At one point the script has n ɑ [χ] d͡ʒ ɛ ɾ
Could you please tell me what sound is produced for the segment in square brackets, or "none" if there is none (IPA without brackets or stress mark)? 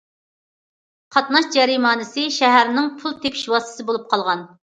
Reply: ʃ